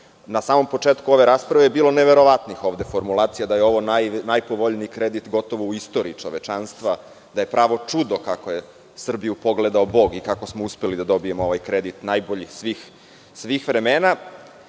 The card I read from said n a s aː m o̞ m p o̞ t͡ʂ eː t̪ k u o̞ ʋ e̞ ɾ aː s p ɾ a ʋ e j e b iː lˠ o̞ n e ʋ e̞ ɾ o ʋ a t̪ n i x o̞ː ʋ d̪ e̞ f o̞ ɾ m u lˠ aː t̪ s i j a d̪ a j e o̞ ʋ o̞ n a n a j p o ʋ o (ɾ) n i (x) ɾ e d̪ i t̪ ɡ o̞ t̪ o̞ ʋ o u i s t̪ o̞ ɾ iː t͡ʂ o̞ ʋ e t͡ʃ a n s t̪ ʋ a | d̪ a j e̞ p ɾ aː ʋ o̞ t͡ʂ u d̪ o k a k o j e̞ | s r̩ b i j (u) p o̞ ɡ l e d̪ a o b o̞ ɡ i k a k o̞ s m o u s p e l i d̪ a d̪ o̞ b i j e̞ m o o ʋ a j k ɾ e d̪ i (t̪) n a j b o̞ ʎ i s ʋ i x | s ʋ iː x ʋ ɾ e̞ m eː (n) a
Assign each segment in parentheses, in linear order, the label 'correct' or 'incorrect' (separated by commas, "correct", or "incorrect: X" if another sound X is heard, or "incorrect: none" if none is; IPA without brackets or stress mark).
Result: incorrect: ʎ, incorrect: k, correct, correct, correct